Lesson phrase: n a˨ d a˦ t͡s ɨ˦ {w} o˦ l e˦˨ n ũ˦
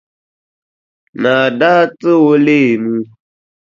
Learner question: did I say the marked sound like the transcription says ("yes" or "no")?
yes